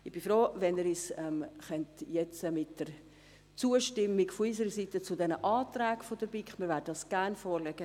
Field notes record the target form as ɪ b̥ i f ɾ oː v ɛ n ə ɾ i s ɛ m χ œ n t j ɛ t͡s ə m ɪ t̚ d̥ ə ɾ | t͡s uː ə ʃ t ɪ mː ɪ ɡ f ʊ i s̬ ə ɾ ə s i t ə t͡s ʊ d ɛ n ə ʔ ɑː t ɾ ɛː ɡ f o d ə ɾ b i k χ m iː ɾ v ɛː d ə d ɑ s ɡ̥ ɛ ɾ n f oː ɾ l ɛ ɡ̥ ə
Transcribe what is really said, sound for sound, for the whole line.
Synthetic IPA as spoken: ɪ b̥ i f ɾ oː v ɛ n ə ɾ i s ɛ m χ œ n t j ɛ t͡s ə m ɪ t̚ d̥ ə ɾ | t͡s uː ə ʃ t ɪ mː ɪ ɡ f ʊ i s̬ ə ɾ ə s i t ə t͡s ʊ d ɛ n ə ʔ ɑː t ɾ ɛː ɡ f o d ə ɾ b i k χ m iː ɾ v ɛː d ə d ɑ s ɡ̥ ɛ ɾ n f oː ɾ l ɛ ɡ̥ ə

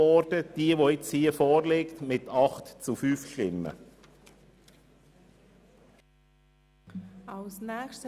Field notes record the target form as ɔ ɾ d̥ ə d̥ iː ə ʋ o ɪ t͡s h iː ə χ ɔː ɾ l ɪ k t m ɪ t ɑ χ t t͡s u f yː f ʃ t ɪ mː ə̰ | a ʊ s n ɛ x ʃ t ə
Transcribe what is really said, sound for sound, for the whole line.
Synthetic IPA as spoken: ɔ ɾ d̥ ə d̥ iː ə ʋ o ɪ t͡s h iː ə f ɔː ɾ l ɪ k t m ɪ t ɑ χ t t͡s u f yː f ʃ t ɪ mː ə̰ | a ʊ s n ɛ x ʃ t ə

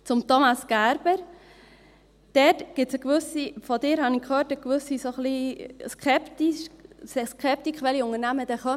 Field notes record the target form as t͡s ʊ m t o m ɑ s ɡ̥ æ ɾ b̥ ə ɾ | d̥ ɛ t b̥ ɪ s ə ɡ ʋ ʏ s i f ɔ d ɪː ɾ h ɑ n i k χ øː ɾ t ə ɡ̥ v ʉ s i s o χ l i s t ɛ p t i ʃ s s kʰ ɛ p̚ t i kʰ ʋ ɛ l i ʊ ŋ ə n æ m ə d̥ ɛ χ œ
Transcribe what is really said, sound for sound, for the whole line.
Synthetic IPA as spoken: t͡s ʊ m t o m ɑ s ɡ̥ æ ɾ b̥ ə ɾ | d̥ ɛ t ɡ̥ ɪ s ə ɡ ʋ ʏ s i f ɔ d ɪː ɾ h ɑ n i k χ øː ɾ t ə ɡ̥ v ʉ s i s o χ l i s k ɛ p t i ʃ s s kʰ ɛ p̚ t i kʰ ʋ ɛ l i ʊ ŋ ə n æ m ə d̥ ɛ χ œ

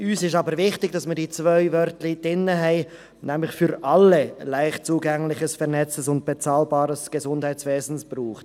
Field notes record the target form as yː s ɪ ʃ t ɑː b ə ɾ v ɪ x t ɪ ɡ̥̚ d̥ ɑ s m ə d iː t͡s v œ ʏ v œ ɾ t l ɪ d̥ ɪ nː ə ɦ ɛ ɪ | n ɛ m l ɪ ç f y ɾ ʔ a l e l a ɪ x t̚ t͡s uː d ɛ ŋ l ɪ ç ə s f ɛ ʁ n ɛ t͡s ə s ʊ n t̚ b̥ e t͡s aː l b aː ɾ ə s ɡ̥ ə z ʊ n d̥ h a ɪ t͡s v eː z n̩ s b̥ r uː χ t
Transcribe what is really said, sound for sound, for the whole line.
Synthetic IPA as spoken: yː s ɪ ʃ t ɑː b ə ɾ v ɪ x t ɪ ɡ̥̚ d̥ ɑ s m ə d iː t͡s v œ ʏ v œ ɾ t l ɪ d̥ ɪ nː ə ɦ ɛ ɪ | n ɛ m l ɪ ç f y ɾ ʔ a l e l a ɪ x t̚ t͡s uː ɡ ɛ ŋ l ɪ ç ə s f ɛ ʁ n ɛ t͡s ə s ʊ n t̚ b̥ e t͡s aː l b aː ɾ ə s ɡ̥ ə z ʊ n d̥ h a ɪ t͡s v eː z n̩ s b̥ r uː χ t

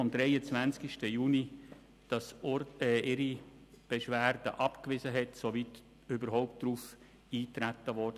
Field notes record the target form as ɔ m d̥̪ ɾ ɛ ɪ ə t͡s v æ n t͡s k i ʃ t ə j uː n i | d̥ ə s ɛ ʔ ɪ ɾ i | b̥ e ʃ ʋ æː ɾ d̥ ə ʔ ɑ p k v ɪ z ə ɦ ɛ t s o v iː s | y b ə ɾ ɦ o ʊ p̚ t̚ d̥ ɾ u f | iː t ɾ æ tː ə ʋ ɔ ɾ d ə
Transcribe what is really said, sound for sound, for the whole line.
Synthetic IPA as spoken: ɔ m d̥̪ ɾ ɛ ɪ ə t͡s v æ n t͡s k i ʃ t ə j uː n i | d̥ ɑ s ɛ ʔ ɪ ɾ i | b̥ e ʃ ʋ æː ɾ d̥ ə ʔ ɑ p k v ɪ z ə ɦ ɛ t s o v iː t | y b ə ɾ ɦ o ʊ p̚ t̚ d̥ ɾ u f | iː t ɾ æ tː ə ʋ ɔ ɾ d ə

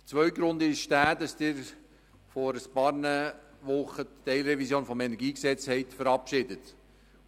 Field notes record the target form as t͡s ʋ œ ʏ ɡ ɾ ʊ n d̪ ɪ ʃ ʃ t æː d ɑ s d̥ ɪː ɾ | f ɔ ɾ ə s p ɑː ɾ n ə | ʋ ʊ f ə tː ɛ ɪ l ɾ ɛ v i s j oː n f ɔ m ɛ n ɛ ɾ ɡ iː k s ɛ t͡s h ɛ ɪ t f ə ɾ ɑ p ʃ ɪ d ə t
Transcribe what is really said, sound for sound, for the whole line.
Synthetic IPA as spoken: t͡s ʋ œ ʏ ɡ ɾ ʊ n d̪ ɪ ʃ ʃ t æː d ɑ s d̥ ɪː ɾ | f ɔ ɾ ə s p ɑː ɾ n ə | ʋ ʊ χ ə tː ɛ ɪ l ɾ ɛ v i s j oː n f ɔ m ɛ n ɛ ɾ ɡ iː k s ɛ t͡s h ɛ ɪ t f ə ɾ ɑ p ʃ ɪ d ə t

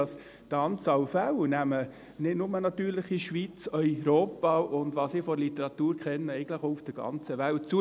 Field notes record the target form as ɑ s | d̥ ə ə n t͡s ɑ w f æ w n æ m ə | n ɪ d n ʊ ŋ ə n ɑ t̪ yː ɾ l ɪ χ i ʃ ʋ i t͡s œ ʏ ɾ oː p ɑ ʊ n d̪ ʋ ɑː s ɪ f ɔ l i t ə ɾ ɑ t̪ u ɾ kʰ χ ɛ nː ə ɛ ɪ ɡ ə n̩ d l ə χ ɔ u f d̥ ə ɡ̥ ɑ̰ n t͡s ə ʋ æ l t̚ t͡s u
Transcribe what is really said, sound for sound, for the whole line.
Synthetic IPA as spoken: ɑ s | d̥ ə ɑ n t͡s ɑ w f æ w n æ m ə | n ɪ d n ʊ m ə n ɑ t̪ yː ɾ l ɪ χ i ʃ ʋ i t͡s œ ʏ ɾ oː p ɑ ʊ n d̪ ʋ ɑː s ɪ f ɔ l i t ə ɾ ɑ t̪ uː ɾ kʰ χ ɛ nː ə ɛ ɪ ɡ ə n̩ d l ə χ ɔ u f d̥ ə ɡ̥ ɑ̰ n t͡s ə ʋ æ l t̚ t͡s u

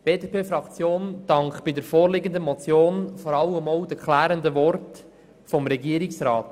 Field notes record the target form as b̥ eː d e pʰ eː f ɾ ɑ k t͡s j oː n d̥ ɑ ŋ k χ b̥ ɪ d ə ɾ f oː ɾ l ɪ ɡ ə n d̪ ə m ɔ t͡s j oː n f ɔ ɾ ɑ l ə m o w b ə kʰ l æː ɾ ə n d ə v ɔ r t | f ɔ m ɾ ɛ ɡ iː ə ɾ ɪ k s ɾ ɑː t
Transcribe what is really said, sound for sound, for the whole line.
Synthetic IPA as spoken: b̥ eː d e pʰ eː f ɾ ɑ k t͡s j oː n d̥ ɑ ŋ k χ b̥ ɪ d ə ɾ f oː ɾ l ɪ ɡ ə n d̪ ə m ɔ t͡s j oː n f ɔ ɾ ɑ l ə m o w d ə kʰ l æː ɾ ə n d ə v ɔ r t | f ɔ m ɾ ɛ ɡ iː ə ɾ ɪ k s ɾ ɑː t

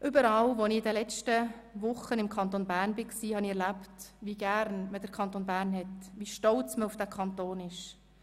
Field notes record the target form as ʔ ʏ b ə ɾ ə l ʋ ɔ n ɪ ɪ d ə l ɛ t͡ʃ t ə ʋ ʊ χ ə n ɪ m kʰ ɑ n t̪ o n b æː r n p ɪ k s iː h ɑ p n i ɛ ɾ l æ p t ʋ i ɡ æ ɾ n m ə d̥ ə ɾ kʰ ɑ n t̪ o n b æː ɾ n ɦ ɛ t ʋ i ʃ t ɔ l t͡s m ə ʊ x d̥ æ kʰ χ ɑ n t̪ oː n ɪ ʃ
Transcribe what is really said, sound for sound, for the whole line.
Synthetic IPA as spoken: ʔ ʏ b ə ɾ ɑ l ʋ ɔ n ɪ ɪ d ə l ɛ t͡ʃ t ə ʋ ʊ χ ə n ɪ m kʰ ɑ n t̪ o n b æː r n b ɪ k s iː h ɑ n i ɛ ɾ l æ p t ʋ i ɡ æ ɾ n m ə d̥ ə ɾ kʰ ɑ n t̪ o n b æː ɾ n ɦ ɛ t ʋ i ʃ t ɔ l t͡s m ə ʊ f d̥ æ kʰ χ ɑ n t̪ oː n ɪ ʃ

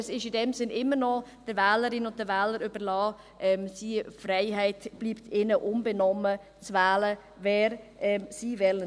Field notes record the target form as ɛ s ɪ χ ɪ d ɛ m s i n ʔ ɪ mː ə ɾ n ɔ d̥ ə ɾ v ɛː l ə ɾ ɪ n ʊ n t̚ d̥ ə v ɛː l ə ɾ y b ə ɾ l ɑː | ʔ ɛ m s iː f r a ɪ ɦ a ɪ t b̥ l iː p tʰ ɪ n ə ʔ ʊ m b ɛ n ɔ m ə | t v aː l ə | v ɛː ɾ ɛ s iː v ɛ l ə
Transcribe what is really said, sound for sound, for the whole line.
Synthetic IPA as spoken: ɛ s ɪ ʃ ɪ d ɛ m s ɪ n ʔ ɪ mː ə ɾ n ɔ d̥ ə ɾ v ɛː l ə ɾ ɪ n ʊ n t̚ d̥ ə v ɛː l ə ɾ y b ə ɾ l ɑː | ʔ ɛ m s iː f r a ɪ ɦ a ɪ t b̥ l iː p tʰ ɪ n ə ʔ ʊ m b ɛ n ɔ m ə | t͡s v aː l ə | v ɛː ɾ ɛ s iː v ɛ l ə

